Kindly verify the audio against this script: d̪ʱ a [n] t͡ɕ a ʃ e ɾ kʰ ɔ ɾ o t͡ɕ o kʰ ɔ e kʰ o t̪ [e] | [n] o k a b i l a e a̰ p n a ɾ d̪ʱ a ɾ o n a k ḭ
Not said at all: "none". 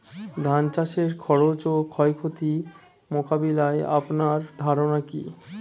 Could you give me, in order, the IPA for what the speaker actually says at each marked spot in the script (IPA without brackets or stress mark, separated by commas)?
n, i, m